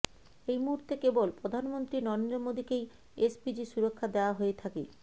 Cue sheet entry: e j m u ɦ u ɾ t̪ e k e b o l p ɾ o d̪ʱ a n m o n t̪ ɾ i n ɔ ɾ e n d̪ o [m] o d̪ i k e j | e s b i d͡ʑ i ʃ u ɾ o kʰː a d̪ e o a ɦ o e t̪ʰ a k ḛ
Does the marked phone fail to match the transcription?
no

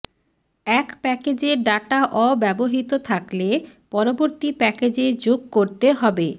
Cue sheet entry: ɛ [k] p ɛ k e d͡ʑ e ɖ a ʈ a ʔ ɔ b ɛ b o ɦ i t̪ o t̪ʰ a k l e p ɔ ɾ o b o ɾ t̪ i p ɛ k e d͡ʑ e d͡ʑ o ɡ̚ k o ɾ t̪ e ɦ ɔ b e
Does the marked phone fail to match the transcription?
no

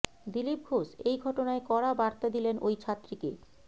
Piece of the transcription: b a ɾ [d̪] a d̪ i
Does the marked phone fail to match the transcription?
yes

